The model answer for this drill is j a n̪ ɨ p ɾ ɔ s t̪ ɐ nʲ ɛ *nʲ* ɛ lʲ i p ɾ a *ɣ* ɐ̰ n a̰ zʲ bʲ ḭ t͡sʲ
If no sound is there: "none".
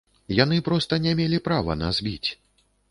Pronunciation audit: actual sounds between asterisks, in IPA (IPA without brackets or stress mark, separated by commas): mʲ, v